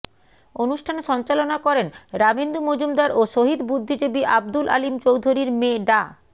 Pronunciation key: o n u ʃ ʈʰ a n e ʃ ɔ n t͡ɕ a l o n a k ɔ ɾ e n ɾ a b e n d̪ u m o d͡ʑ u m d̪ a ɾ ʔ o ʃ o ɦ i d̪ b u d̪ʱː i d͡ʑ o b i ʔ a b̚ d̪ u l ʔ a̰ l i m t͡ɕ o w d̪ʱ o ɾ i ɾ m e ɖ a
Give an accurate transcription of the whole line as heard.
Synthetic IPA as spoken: o n u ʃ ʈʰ a n e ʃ ɔ n t͡ɕ a l o n a k ɔ ɾ e n ɾ a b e n d̪ u m o d͡ʑ u m d̪ a ɾ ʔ o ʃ o ɦ i d̪ b u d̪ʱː i d͡ʑ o b i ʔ a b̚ d̪ u l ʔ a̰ l i m t͡ɕ o w d̪ʱ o ɾ i ɾ m e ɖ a

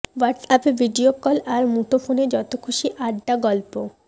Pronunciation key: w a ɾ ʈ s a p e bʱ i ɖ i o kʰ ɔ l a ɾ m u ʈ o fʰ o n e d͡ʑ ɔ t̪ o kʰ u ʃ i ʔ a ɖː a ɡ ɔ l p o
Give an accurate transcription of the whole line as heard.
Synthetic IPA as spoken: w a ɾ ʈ s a p e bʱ i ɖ i o k ɔ l a ɾ m u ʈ o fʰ o n e d͡ʑ ɔ t̪ o kʰ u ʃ i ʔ a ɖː a ɡ ɔ l p o

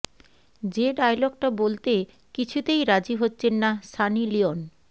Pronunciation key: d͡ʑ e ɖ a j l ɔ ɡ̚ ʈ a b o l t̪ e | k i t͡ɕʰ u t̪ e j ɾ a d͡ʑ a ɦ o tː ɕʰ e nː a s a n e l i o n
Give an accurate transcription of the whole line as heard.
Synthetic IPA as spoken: d͡ʑ e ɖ a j l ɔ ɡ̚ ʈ a b o l t̪ e | k i t͡ɕʰ u t̪ e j ɾ a d͡ʑ i ɦ o tː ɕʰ e nː a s a n i l i o n

